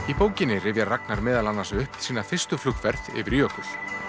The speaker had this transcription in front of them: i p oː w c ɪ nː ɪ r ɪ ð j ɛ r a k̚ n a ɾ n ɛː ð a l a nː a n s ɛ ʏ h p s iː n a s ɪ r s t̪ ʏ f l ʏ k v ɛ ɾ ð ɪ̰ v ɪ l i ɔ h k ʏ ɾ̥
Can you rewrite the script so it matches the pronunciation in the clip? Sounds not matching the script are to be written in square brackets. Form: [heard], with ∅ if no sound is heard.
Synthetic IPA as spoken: i p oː w c ɪ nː ɪ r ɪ [v] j [a] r a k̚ n a ɾ [m] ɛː ð a l a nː a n s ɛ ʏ h p s iː n a [θ] ɪ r s t̪ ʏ f l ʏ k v ɛ ɾ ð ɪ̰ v ɪ [ɾ] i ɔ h k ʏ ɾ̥